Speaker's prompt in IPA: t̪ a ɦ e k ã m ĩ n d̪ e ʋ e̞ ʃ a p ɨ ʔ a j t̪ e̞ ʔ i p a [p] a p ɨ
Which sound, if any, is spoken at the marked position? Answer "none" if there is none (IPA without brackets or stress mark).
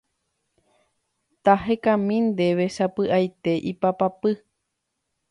p